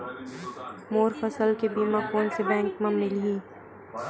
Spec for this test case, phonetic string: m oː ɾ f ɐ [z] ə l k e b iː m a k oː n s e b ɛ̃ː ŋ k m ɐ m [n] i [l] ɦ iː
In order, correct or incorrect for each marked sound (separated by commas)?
incorrect, correct, correct